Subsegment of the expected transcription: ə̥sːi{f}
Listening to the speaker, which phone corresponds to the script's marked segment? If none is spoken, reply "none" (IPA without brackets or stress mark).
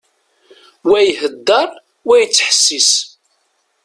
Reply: s